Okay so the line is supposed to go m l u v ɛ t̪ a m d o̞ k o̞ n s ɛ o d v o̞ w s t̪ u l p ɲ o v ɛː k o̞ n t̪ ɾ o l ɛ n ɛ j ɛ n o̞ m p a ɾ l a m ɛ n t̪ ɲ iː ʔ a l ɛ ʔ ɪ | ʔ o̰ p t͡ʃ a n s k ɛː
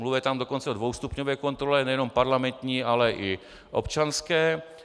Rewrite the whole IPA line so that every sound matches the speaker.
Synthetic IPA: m l u v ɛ t̪ a m d o̞ k o̞ n t͡s ɛ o d v o̞ w s t̪ u p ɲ o v ɛː k o̞ n t̪ ɾ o l ɛ n ɛ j ɛ n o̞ m p a ɾ l a m ɛ n t̪ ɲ iː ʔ a l ɛ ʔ ɪ | ʔ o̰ p t͡ʃ a n s k ɛː